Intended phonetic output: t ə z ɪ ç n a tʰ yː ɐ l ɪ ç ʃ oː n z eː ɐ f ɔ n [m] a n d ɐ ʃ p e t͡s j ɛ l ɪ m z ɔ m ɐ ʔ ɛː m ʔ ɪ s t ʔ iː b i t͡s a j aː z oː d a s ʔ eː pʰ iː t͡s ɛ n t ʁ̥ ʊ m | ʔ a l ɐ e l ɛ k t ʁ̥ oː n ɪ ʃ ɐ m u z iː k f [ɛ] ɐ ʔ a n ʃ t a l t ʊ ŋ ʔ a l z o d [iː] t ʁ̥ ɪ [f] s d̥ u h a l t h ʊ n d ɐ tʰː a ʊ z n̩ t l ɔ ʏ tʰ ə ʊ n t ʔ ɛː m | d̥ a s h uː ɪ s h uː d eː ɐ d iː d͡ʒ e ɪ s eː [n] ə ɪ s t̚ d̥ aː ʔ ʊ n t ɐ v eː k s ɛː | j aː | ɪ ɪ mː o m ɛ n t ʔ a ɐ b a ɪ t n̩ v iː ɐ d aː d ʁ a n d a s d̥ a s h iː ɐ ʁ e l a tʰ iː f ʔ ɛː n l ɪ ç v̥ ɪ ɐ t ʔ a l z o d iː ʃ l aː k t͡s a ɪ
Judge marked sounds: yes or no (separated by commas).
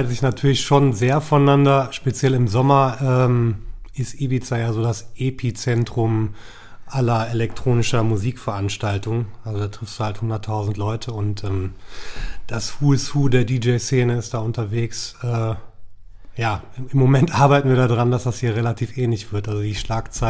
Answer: no, yes, no, yes, yes